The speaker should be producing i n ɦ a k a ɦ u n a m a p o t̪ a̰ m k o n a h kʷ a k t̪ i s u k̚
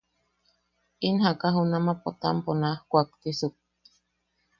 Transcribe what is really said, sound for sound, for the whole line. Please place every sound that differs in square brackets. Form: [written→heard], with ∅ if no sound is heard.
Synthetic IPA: i n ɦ a k a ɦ u n a m a p o t̪ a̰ m [k→p] o n a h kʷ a k t̪ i s u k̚